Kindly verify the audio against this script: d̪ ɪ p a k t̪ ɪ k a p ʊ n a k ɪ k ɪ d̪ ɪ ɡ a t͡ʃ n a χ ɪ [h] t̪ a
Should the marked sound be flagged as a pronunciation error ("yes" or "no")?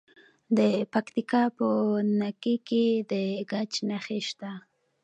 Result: yes